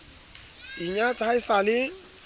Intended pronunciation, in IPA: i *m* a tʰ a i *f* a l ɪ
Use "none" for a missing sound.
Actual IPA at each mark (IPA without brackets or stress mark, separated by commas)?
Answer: ɲ, s